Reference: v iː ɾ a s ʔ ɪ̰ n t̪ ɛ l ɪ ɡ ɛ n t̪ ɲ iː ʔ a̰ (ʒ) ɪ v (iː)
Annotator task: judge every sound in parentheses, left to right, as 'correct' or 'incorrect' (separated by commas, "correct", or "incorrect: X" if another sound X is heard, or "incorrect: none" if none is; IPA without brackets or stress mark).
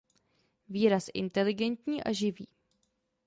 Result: correct, correct